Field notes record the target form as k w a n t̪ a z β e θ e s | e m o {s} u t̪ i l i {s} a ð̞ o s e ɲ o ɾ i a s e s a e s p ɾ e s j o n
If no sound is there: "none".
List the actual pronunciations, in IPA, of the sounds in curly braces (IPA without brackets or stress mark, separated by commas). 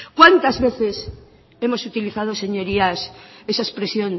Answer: s, θ